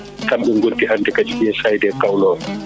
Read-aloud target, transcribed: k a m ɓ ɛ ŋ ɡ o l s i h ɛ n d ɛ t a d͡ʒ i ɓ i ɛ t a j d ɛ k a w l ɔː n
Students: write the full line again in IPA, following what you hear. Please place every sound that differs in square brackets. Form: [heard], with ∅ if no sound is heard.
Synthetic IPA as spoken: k a m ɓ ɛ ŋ ɡ o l [t] i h [a] n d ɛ [k] a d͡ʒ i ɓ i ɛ [s] a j d ɛ k a w l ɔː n

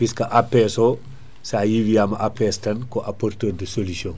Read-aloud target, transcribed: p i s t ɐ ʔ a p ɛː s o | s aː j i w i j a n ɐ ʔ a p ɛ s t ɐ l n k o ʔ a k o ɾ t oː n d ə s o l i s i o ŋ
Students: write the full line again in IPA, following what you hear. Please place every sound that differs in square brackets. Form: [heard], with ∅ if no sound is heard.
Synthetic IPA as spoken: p i s [k] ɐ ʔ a p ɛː s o | s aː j i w i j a [m] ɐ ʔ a p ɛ s t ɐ [∅] n k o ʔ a [p] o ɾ t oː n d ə s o l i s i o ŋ

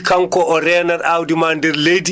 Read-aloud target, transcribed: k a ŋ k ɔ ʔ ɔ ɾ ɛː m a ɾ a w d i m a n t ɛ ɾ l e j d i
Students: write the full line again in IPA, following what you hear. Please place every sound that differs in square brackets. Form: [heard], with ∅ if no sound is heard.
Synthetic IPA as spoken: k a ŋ k ɔ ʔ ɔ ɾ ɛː [n] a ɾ a w d i m a n [d] ɛ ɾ l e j d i

